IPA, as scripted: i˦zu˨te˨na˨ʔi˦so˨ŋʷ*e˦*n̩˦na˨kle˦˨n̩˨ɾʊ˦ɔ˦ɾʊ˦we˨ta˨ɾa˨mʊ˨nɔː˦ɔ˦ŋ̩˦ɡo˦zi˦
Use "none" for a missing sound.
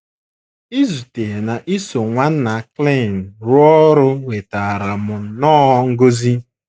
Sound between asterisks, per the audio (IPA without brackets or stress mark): a˦